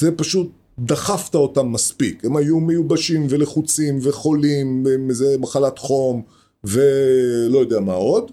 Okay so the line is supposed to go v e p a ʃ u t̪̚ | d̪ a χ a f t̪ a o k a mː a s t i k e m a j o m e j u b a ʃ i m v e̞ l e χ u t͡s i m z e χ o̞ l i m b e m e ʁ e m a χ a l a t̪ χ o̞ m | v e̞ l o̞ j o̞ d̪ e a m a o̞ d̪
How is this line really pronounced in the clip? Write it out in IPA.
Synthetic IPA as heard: z e p a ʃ u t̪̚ | d̪ a χ a f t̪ a o t a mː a s p i k e m a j u m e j u b a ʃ i m v e̞ l e χ u t͡s i m v e χ o̞ l i m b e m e z e m a χ a l a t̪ χ o̞ m | v e̞ l o̞ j o̞ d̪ e a m a o̞ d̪